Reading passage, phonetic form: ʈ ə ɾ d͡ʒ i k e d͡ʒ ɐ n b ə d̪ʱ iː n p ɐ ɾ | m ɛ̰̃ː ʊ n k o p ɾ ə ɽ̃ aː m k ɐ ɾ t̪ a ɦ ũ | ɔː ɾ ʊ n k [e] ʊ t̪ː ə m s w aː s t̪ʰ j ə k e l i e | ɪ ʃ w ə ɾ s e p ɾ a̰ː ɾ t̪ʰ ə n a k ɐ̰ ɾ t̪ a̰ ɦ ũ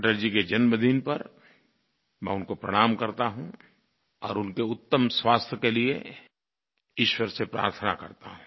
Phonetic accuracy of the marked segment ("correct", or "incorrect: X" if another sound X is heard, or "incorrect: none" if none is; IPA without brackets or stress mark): correct